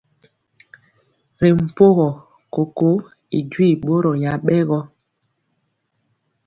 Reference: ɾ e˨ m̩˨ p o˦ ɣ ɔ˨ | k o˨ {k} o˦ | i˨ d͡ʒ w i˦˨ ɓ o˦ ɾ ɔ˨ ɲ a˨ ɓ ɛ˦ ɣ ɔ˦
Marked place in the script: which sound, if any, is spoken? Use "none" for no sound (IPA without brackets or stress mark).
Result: k